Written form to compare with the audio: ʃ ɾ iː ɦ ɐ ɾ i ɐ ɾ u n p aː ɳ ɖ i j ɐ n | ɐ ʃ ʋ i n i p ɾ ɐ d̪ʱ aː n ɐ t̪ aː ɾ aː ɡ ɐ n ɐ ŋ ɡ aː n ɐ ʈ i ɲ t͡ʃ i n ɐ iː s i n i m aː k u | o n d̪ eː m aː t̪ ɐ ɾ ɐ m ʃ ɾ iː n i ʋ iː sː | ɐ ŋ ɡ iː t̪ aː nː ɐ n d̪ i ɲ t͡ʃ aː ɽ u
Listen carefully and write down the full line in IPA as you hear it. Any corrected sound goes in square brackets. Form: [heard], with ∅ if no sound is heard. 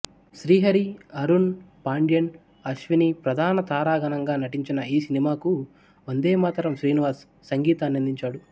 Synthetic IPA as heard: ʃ ɾ iː ɦ ɐ ɾ i ɐ ɾ u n p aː ɳ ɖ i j ɐ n | ɐ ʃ ʋ i n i p ɾ ɐ d̪ʱ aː n ɐ t̪ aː ɾ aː ɡ ɐ n ɐ ŋ ɡ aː n ɐ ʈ i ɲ t͡ʃ i n ɐ iː s i n i m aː k u | o n d̪ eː m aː t̪ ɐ ɾ ɐ m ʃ ɾ iː n i ʋ [aː] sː | ɐ ŋ ɡ iː t̪ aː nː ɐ n d̪ i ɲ t͡ʃ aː ɽ u